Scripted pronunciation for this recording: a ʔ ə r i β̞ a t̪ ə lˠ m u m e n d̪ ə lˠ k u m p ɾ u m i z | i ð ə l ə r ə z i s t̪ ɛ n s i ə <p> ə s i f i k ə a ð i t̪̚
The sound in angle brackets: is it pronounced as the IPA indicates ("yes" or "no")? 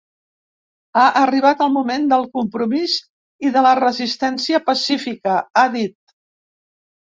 yes